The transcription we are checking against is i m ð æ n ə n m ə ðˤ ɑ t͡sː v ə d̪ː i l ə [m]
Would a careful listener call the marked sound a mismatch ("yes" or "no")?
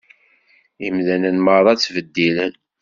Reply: yes